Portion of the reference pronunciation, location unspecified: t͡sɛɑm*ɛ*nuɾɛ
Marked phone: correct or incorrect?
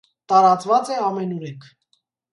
correct